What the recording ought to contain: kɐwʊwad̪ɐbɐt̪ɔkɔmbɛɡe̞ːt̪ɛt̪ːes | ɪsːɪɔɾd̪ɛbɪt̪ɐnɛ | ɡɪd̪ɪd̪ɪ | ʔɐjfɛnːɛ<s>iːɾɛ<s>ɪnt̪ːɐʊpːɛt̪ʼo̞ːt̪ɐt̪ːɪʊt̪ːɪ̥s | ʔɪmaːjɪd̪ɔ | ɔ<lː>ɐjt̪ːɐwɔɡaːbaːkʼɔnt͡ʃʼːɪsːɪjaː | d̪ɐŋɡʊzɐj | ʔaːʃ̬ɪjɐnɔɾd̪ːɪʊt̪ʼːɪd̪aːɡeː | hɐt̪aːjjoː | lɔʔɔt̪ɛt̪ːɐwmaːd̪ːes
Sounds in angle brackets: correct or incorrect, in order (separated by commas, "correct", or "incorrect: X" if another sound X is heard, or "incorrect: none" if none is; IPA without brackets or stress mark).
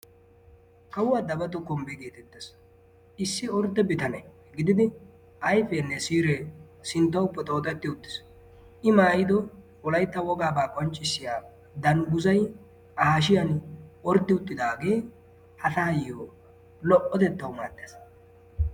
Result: correct, correct, incorrect: l